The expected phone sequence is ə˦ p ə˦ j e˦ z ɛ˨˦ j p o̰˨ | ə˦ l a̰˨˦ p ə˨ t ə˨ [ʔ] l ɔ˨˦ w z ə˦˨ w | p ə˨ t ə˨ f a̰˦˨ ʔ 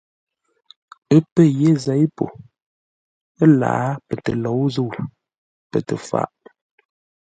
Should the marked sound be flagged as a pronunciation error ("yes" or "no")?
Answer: yes